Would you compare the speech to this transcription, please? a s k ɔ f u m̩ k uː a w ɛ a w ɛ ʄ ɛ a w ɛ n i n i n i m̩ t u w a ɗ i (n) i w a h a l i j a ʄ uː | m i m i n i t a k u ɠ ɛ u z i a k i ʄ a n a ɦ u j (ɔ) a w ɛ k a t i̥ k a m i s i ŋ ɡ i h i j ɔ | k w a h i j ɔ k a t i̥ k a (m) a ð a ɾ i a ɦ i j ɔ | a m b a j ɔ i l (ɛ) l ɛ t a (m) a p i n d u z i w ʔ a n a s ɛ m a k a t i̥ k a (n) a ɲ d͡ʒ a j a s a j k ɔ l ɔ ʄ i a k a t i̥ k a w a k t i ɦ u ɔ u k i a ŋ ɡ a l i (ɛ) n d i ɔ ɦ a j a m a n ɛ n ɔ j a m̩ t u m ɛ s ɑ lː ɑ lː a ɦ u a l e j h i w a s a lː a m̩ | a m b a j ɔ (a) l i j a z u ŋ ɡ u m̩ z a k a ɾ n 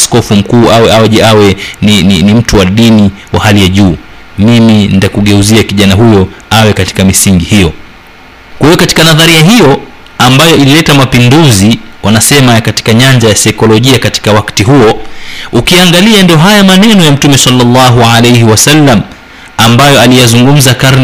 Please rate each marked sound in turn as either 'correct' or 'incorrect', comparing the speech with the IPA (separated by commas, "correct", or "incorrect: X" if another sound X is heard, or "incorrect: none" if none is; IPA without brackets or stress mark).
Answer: correct, correct, incorrect: n, incorrect: i, correct, incorrect: ɲ, incorrect: a, correct